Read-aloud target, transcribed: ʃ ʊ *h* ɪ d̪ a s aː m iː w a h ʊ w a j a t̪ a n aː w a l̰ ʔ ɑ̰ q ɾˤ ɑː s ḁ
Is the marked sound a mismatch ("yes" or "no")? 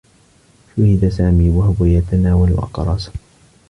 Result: no